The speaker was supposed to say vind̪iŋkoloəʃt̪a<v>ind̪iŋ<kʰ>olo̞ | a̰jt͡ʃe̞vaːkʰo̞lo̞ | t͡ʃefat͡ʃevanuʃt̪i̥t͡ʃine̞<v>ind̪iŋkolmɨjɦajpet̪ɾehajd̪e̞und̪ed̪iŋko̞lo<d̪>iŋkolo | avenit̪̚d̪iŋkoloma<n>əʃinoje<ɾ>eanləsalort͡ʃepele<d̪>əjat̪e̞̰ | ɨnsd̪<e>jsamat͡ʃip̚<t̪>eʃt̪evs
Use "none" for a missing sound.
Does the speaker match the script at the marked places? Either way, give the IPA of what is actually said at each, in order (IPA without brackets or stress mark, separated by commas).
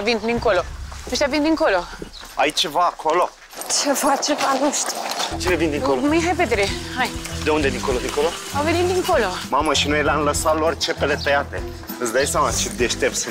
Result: v, k, v, d̪, m, l, t̪, a, d̪